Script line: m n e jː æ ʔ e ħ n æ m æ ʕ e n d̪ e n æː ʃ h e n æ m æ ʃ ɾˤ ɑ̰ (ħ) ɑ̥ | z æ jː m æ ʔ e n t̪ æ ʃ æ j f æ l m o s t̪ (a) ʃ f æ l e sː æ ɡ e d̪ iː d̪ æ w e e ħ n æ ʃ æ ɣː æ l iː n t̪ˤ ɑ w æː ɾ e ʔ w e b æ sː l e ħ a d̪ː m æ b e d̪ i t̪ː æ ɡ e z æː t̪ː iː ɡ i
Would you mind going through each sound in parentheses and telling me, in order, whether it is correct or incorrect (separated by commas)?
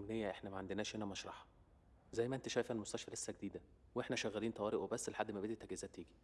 correct, incorrect